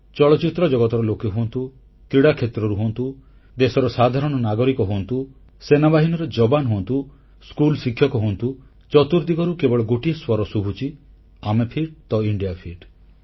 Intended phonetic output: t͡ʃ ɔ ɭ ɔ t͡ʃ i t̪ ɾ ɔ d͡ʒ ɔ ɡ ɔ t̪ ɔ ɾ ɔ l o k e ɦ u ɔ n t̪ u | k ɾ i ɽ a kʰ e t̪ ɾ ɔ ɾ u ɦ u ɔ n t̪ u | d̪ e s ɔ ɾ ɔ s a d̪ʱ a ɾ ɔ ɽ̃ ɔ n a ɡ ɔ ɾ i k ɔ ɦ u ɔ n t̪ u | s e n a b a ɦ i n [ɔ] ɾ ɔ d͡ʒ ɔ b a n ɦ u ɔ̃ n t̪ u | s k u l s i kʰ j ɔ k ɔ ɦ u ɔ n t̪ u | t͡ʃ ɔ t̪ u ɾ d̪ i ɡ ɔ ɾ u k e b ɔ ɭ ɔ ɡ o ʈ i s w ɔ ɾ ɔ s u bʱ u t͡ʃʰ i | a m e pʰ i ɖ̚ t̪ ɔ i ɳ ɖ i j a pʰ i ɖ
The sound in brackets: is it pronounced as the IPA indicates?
yes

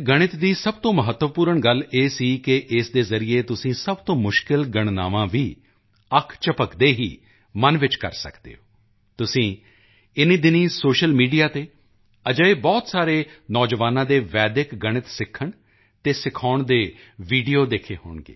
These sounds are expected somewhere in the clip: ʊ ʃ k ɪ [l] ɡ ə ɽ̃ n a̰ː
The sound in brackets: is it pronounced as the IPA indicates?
yes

